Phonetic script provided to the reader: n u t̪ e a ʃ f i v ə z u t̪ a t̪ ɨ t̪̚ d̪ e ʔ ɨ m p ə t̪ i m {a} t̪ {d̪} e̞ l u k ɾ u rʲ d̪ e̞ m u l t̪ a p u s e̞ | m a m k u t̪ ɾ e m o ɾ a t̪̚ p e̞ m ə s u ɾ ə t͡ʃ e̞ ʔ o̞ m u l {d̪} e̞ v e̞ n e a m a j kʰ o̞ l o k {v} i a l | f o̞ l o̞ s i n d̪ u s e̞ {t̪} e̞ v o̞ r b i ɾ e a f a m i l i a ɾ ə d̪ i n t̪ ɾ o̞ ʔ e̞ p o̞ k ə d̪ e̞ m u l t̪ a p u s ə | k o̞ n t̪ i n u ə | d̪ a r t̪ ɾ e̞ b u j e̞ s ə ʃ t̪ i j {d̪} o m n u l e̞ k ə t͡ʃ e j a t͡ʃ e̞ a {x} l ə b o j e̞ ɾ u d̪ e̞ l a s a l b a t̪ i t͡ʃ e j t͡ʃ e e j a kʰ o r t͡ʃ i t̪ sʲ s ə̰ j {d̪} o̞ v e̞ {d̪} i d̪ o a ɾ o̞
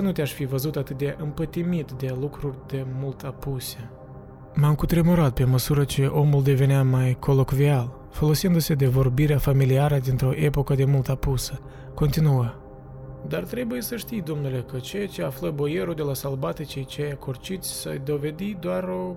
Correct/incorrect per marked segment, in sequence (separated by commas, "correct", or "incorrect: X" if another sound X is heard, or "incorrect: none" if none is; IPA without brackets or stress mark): incorrect: i, correct, correct, correct, incorrect: d̪, correct, incorrect: f, correct, correct